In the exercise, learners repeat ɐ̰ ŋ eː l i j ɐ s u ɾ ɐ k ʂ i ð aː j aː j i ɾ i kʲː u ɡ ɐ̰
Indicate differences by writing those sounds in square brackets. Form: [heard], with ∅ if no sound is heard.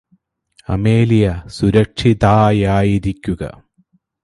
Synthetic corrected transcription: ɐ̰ [m] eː l i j ɐ s u ɾ ɐ k ʂ i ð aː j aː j i ɾ i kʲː u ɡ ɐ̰